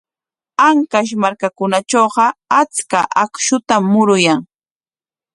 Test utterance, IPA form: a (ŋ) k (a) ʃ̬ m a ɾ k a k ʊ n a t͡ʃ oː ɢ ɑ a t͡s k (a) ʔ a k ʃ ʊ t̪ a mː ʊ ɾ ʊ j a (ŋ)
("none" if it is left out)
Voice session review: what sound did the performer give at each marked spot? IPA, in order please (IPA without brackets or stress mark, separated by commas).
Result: ŋ, a, a, ŋ